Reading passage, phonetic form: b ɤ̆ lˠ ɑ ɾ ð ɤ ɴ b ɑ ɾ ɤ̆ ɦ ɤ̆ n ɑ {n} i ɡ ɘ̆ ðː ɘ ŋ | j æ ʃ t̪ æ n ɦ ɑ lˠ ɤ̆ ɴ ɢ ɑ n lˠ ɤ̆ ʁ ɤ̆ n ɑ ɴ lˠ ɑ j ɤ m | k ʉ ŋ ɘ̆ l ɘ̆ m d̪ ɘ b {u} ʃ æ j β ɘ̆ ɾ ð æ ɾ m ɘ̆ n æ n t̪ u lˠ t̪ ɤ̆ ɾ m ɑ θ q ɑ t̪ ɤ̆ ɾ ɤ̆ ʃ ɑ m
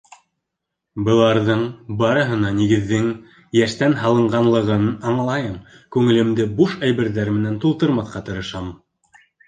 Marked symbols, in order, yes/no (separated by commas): yes, yes